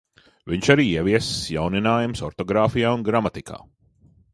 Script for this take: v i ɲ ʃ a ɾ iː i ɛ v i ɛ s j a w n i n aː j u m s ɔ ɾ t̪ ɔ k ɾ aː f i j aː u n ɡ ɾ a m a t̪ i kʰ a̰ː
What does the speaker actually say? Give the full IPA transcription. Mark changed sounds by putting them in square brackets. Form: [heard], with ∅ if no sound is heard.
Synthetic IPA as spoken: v i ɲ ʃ a ɾ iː i ɛ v i ɛ s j a w n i n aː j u m s ɔ ɾ t̪ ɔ [ɡ] ɾ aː f i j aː u n ɡ ɾ a m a t̪ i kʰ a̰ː